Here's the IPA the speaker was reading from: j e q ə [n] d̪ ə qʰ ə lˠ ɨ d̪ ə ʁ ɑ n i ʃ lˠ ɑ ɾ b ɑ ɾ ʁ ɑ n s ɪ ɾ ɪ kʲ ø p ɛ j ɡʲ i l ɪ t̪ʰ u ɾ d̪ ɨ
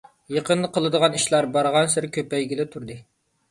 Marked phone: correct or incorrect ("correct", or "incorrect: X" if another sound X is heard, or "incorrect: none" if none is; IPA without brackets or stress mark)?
correct